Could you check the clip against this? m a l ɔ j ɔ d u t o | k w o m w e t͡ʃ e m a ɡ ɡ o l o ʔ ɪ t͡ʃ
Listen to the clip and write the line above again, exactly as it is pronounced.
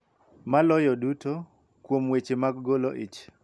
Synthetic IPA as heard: m a l ɔ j ɔ d u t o | k w o m w e t͡ʃ e m a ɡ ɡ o l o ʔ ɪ t͡ʃ